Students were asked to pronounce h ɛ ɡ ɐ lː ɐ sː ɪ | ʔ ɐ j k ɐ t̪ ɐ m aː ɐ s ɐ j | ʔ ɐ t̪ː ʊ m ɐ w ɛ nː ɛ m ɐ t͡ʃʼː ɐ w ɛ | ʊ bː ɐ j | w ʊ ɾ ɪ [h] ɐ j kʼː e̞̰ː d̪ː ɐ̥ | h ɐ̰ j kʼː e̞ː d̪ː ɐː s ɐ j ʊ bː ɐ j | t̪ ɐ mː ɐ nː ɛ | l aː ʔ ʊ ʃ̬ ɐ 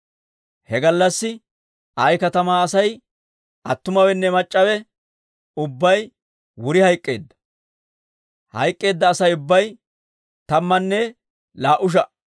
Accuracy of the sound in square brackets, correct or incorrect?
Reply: correct